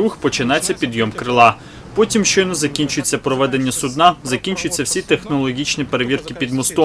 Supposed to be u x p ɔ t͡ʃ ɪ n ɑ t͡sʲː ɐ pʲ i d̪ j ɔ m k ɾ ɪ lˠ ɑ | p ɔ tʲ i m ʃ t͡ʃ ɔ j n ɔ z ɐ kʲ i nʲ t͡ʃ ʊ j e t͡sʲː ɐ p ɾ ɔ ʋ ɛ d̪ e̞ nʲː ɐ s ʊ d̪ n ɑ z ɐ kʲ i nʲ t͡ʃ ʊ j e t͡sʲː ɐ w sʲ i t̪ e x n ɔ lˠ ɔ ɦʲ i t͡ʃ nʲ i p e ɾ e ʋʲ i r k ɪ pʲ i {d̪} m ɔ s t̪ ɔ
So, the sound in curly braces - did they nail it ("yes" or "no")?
yes